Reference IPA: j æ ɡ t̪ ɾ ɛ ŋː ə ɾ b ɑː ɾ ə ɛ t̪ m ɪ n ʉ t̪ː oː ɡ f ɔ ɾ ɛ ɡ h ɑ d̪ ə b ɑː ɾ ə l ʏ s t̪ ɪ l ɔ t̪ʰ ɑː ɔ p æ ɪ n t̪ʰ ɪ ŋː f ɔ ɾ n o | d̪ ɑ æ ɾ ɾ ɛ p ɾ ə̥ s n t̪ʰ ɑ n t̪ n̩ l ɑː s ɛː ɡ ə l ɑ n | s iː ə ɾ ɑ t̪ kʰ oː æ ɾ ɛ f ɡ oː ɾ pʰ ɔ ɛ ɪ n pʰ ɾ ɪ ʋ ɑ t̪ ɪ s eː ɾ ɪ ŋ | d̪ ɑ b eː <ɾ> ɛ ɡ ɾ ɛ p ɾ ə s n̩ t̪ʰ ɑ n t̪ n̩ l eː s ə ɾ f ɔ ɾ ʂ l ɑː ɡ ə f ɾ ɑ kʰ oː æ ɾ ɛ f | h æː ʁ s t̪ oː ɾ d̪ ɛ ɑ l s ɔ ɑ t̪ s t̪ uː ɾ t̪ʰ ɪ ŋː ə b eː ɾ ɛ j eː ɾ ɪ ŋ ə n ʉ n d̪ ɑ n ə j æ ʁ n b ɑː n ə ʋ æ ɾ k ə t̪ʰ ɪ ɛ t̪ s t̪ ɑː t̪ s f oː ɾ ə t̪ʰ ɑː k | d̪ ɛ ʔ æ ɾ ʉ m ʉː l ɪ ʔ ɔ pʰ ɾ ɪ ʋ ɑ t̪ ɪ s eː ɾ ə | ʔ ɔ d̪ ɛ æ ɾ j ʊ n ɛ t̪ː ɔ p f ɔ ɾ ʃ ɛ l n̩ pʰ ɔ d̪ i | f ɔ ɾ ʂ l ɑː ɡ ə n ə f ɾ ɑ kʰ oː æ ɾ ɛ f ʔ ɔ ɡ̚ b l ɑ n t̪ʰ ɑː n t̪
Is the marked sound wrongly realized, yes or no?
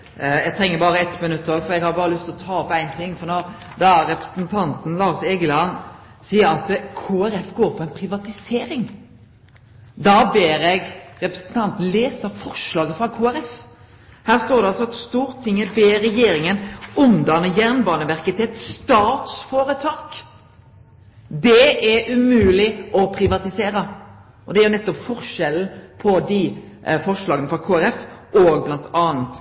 no